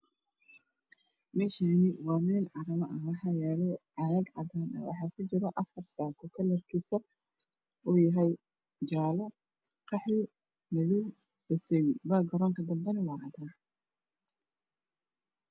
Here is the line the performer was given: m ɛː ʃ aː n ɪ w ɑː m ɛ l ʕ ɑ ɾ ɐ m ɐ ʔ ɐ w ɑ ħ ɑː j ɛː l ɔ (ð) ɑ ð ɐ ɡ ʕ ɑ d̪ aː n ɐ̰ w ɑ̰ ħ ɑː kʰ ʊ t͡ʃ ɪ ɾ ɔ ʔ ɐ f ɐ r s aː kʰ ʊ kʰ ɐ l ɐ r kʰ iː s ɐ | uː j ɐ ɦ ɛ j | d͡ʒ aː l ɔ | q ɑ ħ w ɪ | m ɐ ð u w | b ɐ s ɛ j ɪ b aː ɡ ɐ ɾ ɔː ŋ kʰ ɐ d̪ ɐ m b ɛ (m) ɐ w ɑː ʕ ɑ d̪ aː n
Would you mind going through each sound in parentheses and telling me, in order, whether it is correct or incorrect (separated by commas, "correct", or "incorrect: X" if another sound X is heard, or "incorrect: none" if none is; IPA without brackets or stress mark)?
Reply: incorrect: ʕ, incorrect: n